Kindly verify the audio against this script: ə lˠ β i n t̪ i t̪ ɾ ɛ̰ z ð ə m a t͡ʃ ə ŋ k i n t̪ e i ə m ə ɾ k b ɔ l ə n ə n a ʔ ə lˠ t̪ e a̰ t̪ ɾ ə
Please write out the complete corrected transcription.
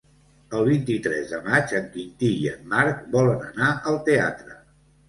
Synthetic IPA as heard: ə lˠ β i n t̪ i t̪ ɾ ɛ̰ z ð ə m a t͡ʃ ə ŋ k i n t̪ i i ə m a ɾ k b ɔ l ə n ə n a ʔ ə lˠ t̪ e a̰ t̪ ɾ ə